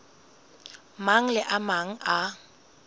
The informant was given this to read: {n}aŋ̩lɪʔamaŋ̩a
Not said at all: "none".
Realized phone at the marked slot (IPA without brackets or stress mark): m